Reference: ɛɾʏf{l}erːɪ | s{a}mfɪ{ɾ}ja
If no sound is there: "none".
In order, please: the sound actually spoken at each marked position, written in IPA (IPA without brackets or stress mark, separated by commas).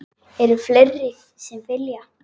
l, ɛ, l